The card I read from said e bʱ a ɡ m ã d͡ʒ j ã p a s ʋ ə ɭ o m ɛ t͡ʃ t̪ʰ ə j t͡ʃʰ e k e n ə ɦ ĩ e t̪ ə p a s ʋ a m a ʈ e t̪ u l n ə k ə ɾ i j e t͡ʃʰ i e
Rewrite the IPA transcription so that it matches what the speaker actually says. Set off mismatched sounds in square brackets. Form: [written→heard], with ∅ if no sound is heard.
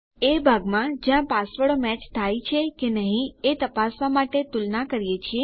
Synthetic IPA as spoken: e bʱ a ɡ m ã d͡ʒ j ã p a s ʋ ə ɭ o m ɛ t͡ʃ t̪ʰ [ə→a] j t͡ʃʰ e k e n ə ɦ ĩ e t̪ ə p a s ʋ a m a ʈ e t̪ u l n [ə→a] k ə ɾ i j e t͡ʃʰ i e